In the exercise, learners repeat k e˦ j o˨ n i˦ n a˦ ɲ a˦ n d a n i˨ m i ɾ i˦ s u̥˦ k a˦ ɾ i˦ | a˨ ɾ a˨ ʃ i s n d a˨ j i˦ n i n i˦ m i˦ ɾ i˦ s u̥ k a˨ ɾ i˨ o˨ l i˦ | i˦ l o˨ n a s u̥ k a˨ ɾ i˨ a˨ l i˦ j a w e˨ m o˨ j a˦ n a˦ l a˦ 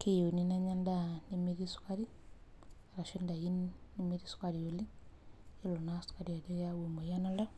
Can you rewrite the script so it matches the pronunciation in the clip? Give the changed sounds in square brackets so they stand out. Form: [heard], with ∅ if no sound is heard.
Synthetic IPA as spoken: k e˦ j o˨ n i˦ n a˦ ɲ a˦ n d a n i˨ m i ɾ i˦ s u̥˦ k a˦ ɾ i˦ | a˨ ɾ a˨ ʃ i [∅] n d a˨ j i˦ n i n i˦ m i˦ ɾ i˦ s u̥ k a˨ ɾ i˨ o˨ l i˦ | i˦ l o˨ n a s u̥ k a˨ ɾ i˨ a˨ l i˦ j a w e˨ m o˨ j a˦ n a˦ l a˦